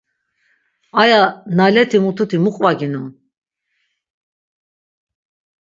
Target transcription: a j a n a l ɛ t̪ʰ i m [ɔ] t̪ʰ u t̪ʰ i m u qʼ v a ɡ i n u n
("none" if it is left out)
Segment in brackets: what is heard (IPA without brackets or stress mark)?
u